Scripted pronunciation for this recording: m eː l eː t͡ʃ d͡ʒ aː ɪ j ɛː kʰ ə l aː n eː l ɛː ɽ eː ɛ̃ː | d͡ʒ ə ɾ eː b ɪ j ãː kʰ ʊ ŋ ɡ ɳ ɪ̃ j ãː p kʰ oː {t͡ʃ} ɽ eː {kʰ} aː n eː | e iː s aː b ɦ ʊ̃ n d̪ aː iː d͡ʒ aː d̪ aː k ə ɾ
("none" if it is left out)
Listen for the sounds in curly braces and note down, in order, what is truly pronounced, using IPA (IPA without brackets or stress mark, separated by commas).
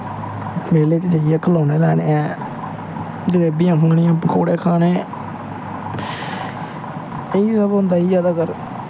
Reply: none, kʰ